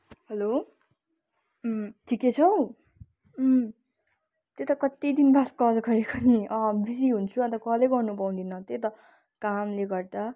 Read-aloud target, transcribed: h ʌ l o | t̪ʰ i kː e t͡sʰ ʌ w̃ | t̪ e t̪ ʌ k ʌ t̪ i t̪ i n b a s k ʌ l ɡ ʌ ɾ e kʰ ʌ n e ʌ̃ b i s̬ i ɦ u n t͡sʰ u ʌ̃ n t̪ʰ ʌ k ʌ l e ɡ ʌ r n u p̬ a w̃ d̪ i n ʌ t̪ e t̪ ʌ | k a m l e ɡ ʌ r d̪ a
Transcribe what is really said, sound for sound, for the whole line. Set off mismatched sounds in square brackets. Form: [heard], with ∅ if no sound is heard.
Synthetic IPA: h ʌ l o | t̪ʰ i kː e t͡sʰ ʌ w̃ | t̪ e t̪ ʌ k ʌ t̪ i [d̪] i n b a s k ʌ l ɡ ʌ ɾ e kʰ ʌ n [i] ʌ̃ b i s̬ i ɦ u n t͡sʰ u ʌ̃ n [t̪] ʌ k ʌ l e ɡ ʌ r n u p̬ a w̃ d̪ i n ʌ t̪ e t̪ ʌ | k a m l e ɡ ʌ r d̪ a